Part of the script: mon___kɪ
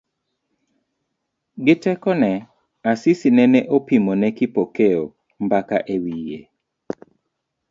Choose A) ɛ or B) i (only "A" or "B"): A